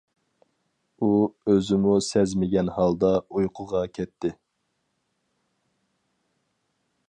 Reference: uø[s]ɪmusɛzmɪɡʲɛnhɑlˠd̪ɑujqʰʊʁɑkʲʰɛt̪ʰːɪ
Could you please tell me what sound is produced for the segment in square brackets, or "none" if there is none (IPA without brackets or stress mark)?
z